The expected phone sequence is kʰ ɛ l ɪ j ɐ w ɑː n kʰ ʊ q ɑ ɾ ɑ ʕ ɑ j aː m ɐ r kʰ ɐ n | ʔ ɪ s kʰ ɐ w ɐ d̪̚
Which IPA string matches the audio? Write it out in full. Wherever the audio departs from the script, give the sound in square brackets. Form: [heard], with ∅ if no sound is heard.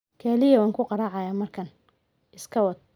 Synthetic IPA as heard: kʰ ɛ l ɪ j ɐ w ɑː [ŋ] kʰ ʊ q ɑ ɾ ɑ ʕ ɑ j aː m ɐ r kʰ ɐ n | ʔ ɪ s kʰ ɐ w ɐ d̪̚